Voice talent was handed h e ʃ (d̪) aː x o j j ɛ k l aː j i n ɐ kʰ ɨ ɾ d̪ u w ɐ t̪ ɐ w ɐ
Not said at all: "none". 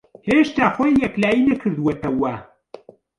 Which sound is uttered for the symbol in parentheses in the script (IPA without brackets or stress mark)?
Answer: t̪